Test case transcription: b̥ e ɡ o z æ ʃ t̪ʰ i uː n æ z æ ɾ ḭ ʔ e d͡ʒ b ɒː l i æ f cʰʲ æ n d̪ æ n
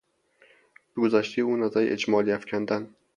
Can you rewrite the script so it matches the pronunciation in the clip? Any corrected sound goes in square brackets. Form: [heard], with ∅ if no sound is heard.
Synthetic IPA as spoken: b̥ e ɡ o z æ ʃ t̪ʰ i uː n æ z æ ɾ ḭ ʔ e d͡ʒ [m] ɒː l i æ f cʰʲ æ n d̪ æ n